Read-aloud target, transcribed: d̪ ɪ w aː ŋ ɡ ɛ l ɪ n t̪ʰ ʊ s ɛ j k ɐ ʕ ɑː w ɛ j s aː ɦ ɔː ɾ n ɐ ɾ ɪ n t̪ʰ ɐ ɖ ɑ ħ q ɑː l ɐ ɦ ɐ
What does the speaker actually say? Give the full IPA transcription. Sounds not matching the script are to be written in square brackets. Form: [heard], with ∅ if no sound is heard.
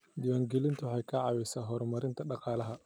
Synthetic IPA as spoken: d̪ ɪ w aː ŋ ɡ ɛ l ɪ n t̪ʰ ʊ [ħ] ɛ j [kʰ] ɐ ʕ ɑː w ɛ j s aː ɦ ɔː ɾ [m] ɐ ɾ ɪ n t̪ʰ ɐ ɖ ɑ [∅] q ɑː l ɐ ɦ ɐ